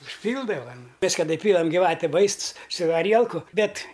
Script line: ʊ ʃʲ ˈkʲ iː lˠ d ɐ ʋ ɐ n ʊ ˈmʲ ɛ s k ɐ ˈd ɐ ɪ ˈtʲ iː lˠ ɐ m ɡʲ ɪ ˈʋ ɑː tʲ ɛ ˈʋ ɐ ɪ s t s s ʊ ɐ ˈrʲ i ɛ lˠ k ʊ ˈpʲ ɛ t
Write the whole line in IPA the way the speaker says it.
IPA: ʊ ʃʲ ˈpʲ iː lˠ d ɐ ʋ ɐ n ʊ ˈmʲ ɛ s k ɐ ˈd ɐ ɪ ˈpʲ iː lˠ ɐ m ɡʲ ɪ ˈʋ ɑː tʲ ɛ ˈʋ ɐ ɪ s t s s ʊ ɐ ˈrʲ i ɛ lˠ k ʊ ˈbʲ ɛ t

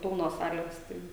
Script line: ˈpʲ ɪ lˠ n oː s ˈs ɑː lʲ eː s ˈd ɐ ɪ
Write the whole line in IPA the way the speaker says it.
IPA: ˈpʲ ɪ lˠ n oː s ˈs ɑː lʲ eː s ˈt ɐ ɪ

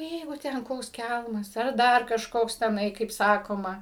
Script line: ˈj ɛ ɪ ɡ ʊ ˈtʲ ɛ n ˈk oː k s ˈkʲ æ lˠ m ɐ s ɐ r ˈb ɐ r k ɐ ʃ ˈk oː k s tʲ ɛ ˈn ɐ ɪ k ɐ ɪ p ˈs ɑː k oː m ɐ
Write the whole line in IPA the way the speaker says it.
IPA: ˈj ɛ ɪ ɡ ʊ ˈtʲ ɛ n ˈk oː k s ˈkʲ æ lˠ m ɐ s ɐ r ˈd ɐ r k ɐ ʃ ˈk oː k s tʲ ɛ ˈn ɐ ɪ k ɐ ɪ p ˈs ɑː k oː m ɐ

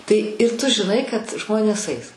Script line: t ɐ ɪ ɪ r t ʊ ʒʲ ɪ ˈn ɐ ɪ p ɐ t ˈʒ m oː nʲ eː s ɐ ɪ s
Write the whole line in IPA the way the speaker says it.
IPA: t ɐ ɪ ɪ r t ʊ ʒʲ ɪ ˈn ɐ ɪ k ɐ t ˈʒ m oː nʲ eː s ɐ ɪ s

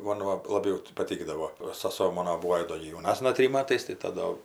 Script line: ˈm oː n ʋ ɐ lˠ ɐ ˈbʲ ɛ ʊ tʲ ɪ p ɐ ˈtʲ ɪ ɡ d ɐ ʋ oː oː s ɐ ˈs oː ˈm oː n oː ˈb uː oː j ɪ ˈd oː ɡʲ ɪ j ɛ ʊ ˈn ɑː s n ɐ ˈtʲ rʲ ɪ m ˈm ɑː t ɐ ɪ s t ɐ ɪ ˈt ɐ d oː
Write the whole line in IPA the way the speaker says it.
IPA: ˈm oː n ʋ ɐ lˠ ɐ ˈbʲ ɛ ʊ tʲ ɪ p ɐ ˈtʲ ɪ ɡ d ɐ ʋ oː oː s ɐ ˈs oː ˈm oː n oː ˈb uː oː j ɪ ˈd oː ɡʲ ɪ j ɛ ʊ ˈn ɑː s n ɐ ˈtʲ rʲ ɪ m ˈm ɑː t ɐ ɪ s t ɐ ɪ ˈt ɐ d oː

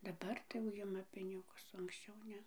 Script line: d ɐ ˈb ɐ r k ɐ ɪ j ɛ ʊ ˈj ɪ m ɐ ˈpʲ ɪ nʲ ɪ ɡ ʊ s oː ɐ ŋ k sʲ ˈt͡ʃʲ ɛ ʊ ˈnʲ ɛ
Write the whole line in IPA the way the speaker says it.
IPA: d ɐ ˈb ɐ r t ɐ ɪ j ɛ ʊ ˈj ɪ m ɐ ˈpʲ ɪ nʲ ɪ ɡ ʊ s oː ɐ ŋ k sʲ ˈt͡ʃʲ ɛ ʊ ˈnʲ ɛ

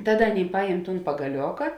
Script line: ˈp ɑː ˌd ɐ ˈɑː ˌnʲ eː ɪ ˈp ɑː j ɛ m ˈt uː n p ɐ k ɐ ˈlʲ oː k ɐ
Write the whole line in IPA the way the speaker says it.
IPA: ˈt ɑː ˌd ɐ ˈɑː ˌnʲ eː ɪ ˈp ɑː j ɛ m ˈt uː n p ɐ ɡ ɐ ˈlʲ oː k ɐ

